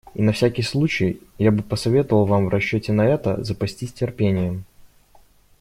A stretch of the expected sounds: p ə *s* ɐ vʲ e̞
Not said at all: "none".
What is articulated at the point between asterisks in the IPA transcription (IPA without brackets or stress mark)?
s